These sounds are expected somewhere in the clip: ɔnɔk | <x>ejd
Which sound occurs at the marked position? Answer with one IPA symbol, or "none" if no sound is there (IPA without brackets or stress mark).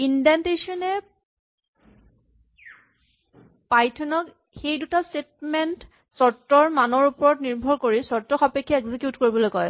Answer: x